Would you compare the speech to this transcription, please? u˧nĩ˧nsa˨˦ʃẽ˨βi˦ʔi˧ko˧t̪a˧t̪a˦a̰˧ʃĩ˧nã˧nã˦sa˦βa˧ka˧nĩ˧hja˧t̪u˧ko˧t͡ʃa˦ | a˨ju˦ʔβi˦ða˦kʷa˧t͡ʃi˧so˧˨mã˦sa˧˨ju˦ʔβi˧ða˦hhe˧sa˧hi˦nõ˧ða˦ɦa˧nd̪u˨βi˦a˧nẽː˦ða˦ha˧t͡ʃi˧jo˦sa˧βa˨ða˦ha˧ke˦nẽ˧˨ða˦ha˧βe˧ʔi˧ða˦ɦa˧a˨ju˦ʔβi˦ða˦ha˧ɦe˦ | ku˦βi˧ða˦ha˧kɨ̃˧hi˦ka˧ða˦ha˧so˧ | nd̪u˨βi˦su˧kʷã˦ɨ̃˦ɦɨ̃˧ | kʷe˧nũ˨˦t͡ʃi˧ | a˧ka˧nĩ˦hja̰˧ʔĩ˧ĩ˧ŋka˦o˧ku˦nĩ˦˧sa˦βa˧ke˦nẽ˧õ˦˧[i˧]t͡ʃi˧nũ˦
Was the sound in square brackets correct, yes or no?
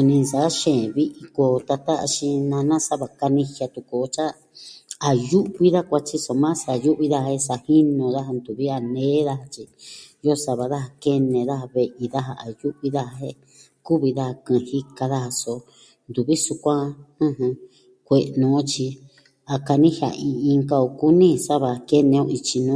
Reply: yes